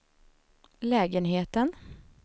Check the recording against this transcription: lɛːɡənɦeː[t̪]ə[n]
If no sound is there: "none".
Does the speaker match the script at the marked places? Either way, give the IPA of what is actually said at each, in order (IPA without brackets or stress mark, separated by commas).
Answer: t̪, n